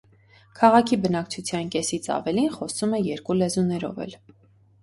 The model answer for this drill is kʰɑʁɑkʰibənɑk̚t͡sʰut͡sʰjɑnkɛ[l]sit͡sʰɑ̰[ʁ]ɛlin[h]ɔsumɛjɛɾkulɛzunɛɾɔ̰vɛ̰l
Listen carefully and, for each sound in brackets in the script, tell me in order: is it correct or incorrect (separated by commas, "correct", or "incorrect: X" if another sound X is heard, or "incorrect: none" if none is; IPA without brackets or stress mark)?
incorrect: none, incorrect: v, incorrect: χ